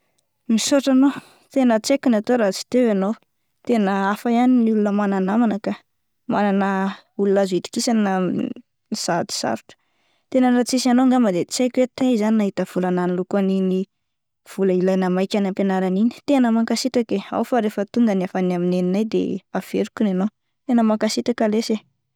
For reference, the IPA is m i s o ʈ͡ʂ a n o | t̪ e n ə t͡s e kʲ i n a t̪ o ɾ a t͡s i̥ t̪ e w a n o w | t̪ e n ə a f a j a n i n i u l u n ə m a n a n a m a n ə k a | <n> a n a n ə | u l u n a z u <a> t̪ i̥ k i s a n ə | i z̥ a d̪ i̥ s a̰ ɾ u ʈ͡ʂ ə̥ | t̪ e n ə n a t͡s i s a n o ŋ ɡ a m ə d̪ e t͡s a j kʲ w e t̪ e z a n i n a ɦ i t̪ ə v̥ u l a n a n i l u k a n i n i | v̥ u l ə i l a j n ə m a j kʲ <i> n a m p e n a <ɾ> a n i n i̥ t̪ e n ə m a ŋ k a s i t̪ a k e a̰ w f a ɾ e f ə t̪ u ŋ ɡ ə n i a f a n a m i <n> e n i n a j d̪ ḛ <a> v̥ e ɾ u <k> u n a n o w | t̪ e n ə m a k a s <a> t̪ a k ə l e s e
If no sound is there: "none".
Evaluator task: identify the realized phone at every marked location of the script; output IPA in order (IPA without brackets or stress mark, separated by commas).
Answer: m, i, a, ɾ, n, a, k, i